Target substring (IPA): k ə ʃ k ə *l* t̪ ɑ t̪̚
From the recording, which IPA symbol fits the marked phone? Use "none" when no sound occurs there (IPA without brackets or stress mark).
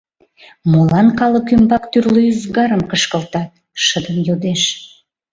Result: l